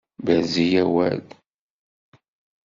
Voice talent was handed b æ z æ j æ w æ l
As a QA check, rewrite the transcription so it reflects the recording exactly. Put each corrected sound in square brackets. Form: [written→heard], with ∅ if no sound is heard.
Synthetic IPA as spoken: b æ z [æ→i] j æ w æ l